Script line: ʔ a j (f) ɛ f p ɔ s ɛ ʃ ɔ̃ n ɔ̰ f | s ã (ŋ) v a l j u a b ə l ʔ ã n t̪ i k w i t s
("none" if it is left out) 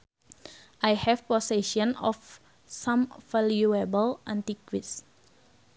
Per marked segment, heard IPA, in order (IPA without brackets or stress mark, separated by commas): h, m